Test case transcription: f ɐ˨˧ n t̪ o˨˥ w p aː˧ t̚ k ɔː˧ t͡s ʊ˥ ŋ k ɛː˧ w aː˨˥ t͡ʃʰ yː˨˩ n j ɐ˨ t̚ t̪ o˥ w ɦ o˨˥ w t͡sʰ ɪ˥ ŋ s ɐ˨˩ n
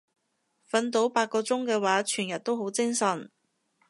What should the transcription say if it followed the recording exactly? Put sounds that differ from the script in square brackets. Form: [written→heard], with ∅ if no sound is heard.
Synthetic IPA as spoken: f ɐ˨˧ n t̪ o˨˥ w p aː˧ t̚ k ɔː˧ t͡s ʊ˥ ŋ k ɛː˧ w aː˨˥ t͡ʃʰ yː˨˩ n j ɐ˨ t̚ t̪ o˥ w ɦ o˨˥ w [t͡sʰ→t͡s] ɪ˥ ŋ s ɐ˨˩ n